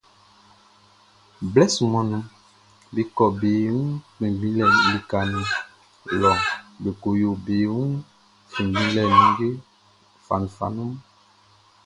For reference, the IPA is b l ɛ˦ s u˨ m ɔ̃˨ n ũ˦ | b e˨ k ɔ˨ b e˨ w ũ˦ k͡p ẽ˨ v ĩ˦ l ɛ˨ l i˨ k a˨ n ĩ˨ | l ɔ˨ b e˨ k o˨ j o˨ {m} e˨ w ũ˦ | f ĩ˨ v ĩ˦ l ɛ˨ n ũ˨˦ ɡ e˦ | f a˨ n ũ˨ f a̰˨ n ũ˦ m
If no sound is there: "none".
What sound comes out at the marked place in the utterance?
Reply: b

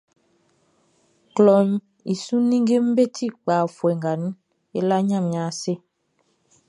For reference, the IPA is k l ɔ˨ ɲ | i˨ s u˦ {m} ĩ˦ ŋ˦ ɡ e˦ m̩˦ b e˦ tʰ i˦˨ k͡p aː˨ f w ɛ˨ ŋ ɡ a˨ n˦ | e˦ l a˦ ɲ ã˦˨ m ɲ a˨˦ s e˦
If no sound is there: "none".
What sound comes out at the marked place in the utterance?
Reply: n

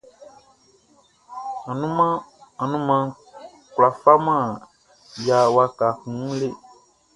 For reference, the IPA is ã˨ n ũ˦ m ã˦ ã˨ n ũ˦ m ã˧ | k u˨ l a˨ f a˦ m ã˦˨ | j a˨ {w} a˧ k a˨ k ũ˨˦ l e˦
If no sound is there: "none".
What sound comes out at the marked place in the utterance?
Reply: w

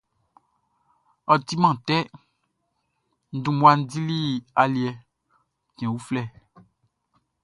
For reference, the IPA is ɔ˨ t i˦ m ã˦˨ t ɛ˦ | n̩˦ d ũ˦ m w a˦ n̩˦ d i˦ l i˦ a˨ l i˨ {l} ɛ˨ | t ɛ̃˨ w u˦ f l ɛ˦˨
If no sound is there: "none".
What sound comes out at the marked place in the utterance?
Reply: none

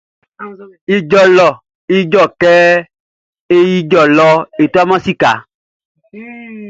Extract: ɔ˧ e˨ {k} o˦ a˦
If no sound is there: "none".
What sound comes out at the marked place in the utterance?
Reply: t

